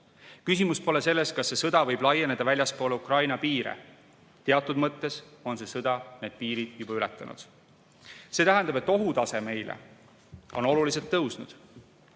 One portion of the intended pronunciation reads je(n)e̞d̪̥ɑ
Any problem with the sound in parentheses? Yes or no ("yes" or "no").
no